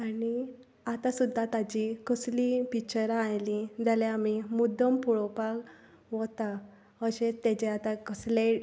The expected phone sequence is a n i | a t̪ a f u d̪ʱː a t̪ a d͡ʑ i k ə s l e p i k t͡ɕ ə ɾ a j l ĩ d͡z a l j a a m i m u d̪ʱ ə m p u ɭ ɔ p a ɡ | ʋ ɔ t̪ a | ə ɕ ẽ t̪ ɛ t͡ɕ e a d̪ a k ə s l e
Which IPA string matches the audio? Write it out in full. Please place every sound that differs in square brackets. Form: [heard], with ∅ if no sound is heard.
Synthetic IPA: a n i | a t̪ a [s] u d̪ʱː a t̪ a d͡ʑ i k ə s l [i] p i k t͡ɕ ə ɾ a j l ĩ d͡z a l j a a m i m u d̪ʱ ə m p u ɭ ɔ p a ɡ | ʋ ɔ t̪ a | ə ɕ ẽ t̪ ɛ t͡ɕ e a [t̪] a k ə s l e